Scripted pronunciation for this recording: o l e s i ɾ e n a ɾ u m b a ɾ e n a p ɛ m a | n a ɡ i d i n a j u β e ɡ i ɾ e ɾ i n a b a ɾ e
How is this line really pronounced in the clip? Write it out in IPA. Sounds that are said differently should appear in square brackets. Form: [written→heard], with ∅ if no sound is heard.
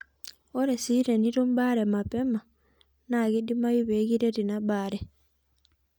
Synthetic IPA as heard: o [l→ɾ] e s i ɾ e n [a→i] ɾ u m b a ɾ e [n→m] a p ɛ m a | n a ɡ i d i [n→m] a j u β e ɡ i ɾ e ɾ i n a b a ɾ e